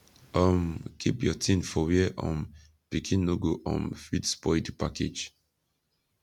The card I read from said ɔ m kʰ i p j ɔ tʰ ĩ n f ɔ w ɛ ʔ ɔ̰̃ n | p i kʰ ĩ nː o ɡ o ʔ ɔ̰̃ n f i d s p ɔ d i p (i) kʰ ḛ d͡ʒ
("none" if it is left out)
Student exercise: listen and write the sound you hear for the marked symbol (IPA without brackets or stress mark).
a